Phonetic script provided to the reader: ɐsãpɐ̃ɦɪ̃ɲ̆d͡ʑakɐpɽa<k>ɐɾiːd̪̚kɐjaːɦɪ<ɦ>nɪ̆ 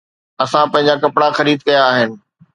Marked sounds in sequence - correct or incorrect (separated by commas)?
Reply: incorrect, incorrect